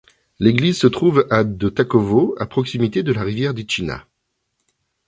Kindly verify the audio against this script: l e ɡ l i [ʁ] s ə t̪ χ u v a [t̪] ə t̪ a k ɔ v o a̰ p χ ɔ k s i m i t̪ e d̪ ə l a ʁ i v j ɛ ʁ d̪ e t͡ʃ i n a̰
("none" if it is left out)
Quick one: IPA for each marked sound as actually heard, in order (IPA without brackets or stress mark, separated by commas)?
z, d̪